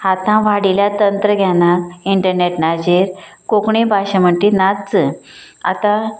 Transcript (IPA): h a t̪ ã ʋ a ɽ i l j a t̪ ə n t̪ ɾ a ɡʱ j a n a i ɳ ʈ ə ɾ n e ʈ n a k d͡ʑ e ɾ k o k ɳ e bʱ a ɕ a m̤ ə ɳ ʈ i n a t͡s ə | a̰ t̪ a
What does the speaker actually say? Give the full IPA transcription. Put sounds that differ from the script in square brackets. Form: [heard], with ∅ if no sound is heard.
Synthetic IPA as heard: h a t̪ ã ʋ a ɽ i l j a t̪ ə n t̪ ɾ [ə] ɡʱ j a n a i ɳ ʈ ə ɾ n e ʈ n a [∅] d͡ʑ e ɾ k o k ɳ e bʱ a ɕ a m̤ ə ɳ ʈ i n a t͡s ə | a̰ t̪ a